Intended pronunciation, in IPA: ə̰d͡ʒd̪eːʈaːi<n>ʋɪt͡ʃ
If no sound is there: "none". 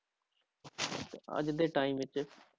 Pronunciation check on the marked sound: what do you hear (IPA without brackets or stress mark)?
m